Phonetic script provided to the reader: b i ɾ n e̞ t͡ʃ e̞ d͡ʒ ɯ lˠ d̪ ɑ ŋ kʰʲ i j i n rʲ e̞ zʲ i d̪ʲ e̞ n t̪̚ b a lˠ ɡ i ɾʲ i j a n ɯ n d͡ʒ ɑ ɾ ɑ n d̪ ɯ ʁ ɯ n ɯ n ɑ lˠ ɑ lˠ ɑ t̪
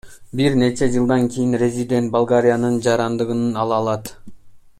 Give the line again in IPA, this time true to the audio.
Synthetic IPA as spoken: b i ɾ n e̞ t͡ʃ e̞ d͡ʒ ɯ lˠ d̪ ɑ ŋ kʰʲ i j i n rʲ e̞ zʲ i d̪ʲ e̞ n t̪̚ b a lˠ ɡ a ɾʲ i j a n ɯ n d͡ʒ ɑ ɾ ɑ n d̪ ɯ ʁ ɯ n ɯ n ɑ lˠ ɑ lˠ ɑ t̪